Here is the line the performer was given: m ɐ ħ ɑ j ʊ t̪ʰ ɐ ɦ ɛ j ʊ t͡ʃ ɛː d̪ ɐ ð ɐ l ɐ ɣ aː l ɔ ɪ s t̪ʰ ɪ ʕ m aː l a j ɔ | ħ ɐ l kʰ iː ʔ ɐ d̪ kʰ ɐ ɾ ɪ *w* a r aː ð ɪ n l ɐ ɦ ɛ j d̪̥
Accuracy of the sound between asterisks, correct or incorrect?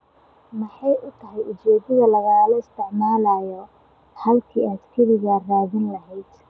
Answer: incorrect